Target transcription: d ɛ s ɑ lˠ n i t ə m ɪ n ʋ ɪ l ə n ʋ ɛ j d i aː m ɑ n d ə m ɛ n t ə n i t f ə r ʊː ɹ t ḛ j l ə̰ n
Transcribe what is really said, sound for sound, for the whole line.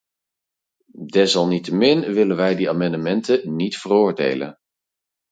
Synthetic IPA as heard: d ɛ s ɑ lˠ n i t ə m ɪ n ʋ ɪ l ə n ʋ ɛ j d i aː m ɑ n d ə m ɛ n t ə n i t f ə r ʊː ɹ d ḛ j l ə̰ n